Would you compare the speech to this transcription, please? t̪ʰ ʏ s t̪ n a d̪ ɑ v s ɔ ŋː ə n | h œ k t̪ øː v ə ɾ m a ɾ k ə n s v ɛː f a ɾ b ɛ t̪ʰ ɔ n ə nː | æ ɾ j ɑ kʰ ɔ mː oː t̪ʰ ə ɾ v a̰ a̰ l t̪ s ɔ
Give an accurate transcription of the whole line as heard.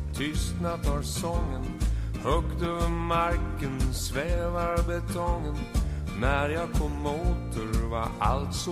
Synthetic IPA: t̪ʰ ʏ s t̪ n a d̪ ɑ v s ɔ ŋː ə n | h œ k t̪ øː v ə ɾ m a ɾ k ə n s v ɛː v a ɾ b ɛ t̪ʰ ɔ ŋ ə nː | æ ɾ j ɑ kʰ ɔ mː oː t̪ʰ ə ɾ v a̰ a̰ l t̪ s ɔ